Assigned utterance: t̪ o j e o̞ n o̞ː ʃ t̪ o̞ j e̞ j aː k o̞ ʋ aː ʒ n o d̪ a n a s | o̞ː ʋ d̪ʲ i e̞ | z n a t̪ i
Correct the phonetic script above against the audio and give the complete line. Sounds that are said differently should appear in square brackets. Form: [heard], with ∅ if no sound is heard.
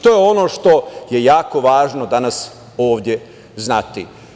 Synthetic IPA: t̪ o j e o̞ n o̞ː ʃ t̪ o̞ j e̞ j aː k o̞ ʋ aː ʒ n o d̪ a n a s | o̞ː ʋ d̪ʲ [j] e̞ | z n a t̪ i